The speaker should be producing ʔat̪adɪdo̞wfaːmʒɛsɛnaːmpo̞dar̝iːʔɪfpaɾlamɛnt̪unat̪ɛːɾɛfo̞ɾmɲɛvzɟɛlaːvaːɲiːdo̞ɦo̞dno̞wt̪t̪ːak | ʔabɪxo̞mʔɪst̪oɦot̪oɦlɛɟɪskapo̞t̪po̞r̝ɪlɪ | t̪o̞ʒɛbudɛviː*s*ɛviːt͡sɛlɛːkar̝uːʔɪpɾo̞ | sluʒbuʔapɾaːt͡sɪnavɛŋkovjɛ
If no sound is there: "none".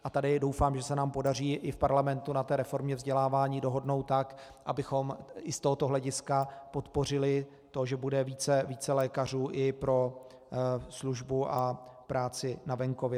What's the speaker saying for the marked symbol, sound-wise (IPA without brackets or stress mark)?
t͡s